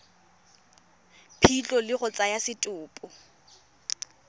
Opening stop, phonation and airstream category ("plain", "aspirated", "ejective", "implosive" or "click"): aspirated